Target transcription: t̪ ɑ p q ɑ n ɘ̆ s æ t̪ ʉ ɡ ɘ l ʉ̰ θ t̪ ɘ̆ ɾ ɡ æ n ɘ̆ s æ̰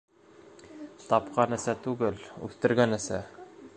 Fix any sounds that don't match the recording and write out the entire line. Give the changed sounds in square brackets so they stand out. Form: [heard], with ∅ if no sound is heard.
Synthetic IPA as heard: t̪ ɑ p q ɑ n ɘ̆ s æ t̪ ʉ ɡ ɘ l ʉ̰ θ t̪ ɘ̆ ɾ ɡ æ n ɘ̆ s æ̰